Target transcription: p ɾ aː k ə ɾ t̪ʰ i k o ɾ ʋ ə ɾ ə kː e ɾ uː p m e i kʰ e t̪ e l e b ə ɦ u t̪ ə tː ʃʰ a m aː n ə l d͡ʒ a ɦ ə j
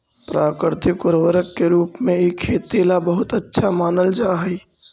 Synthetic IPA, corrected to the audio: p ɾ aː k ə ɾ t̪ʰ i k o ɾ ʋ ə ɾ ə kː e ɾ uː p m e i kʰ e t̪ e l a b ə ɦ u t̪ ə tː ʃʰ a m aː n ə l d͡ʒ a ɦ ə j